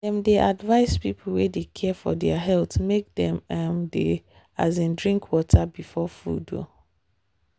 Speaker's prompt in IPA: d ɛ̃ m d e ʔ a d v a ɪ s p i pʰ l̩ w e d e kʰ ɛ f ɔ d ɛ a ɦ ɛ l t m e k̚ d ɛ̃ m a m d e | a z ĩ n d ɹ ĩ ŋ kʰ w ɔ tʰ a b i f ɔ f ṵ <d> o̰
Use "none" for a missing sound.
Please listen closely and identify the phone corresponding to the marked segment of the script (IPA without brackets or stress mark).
d